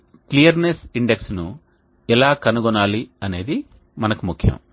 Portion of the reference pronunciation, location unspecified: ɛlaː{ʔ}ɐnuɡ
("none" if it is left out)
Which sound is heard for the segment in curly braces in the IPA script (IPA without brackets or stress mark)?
k